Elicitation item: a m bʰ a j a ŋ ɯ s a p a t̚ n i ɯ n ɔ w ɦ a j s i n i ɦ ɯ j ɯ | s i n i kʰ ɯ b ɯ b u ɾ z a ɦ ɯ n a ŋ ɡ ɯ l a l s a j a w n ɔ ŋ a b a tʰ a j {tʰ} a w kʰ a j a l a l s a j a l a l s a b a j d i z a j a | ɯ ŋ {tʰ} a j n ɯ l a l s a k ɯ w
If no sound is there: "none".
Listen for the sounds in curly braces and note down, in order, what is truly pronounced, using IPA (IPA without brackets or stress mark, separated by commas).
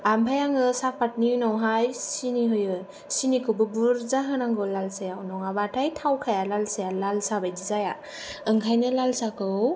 tʰ, kʰ